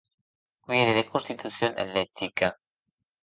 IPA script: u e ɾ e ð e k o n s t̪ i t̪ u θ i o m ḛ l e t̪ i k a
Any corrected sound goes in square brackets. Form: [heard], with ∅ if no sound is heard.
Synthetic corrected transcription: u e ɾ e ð e k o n s t̪ i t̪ u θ [j] o [n] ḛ l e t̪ i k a